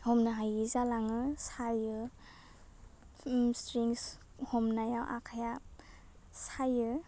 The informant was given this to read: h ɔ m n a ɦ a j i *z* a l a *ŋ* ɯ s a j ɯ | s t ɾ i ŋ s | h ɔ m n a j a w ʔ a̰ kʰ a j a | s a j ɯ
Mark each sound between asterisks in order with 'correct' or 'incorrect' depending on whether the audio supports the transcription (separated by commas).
correct, correct